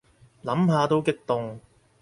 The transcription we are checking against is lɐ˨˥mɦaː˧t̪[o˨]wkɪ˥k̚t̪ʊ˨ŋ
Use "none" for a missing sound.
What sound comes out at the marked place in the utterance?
o˥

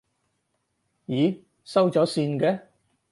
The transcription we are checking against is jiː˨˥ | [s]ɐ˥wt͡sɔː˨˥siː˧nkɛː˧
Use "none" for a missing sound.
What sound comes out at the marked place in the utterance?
s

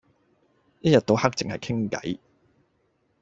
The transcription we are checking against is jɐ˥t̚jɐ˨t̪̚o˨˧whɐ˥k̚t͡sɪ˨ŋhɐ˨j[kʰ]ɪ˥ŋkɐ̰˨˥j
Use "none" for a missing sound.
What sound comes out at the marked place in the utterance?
kʰ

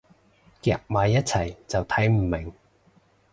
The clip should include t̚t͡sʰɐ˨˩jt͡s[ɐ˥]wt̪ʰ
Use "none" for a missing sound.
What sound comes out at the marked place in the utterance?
ɐ˨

